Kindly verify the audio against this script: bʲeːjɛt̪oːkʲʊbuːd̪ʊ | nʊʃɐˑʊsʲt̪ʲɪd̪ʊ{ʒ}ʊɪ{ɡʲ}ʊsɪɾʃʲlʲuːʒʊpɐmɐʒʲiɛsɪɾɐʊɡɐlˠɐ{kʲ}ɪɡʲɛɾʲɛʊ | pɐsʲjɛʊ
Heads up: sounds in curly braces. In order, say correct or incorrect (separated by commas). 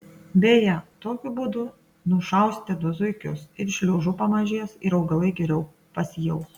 incorrect, incorrect, incorrect